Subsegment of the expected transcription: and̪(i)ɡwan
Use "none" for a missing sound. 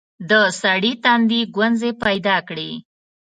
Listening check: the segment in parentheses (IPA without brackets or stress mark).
i